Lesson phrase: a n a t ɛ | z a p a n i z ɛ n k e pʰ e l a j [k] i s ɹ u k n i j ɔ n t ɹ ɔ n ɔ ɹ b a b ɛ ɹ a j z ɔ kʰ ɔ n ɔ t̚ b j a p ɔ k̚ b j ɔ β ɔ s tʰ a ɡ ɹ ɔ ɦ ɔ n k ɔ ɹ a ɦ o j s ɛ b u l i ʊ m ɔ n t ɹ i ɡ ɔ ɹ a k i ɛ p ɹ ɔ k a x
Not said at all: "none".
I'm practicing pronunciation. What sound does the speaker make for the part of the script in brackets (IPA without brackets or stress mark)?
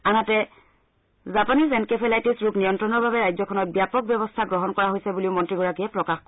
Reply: t